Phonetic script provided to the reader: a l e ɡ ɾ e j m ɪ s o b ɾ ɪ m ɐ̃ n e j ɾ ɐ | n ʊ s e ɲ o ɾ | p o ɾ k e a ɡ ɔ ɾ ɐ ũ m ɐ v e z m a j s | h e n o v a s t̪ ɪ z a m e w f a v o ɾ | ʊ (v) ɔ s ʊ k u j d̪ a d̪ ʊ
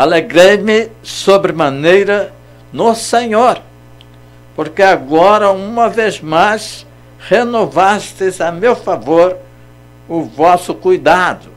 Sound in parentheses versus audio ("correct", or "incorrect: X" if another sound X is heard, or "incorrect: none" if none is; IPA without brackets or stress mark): correct